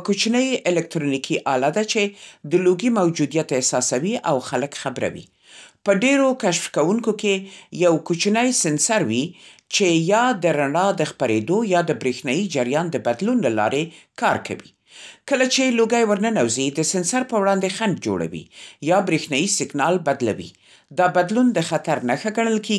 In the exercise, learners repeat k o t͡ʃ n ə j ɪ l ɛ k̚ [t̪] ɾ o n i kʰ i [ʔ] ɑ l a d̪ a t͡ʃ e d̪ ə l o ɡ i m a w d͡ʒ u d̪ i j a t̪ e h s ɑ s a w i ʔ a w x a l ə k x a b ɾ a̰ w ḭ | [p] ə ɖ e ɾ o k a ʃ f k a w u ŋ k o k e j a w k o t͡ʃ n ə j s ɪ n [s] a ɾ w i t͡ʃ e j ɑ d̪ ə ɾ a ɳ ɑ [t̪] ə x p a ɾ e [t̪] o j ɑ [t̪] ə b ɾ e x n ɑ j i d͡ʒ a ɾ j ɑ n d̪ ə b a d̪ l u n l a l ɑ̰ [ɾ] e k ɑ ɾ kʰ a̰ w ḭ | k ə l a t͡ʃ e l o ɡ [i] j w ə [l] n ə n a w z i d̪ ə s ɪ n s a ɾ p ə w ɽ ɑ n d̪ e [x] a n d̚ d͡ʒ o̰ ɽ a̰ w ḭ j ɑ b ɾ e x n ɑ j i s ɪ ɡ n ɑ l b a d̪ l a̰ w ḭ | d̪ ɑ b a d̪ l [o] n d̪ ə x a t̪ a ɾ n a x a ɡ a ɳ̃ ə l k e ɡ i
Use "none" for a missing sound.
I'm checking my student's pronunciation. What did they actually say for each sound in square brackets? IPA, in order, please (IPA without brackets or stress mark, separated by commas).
t̪, ʔ, p, s, d̪, d̪, d̪, ɾ, a, ɾ, x, u